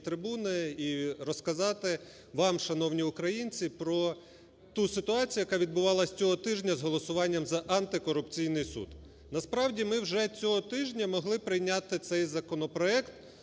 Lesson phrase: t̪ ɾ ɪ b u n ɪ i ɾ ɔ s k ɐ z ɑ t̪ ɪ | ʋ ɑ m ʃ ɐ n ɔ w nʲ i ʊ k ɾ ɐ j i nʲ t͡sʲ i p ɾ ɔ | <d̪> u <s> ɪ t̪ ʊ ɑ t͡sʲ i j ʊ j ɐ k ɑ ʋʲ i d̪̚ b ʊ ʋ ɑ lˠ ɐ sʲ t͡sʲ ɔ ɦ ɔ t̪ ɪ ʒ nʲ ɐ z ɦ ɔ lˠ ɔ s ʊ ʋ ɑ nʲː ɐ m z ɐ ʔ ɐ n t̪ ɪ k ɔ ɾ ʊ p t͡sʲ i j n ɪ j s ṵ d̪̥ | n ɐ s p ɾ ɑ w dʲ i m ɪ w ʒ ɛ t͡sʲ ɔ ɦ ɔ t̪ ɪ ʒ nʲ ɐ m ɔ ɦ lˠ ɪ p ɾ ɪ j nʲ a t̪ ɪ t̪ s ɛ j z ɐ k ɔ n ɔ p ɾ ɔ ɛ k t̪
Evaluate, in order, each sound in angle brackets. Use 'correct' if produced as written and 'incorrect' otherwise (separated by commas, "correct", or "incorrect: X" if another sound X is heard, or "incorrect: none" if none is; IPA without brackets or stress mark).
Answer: incorrect: t̪, correct